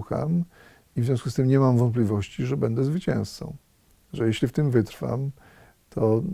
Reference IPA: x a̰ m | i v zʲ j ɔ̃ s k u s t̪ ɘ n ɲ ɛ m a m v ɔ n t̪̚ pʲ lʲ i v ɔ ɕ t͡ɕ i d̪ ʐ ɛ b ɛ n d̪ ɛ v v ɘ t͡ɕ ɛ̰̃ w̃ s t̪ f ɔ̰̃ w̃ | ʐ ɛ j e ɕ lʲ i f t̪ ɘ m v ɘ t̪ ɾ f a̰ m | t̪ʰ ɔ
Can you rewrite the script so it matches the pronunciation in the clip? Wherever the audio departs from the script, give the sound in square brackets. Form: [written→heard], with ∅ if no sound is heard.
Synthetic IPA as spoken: x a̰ m | i v zʲ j ɔ̃ s k u s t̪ ɘ [n→m] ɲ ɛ m a m v ɔ n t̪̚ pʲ lʲ i v ɔ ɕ t͡ɕ i [d̪→∅] ʐ ɛ b ɛ n d̪ ɛ [v→z] v ɘ t͡ɕ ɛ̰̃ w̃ s t̪ [f→s] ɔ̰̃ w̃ | ʐ ɛ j e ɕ lʲ i f t̪ ɘ m v ɘ t̪ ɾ f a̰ m | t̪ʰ ɔ